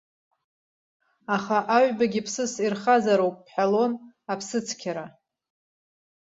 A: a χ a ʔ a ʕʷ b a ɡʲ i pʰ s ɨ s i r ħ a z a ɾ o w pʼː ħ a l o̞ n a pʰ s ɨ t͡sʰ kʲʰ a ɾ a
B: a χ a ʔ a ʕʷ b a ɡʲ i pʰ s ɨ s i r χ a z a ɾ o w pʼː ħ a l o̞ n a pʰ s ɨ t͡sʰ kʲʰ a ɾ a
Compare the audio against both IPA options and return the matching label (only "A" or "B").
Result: B